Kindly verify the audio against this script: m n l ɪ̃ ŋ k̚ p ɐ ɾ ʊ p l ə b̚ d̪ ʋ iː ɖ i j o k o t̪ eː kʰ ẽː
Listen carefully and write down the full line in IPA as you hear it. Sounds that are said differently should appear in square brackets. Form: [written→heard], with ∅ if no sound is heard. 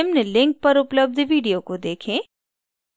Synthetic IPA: m n l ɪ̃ ŋ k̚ p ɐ ɾ ʊ p l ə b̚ d̪ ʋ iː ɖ i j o k o [t̪→d̪] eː kʰ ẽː